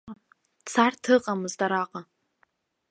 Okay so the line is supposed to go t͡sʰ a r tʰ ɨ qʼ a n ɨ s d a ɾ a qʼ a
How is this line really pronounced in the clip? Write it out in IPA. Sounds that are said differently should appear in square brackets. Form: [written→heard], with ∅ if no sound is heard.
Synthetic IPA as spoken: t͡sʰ a r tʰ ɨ qʼ a [n→m] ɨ [s→z] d a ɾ a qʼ a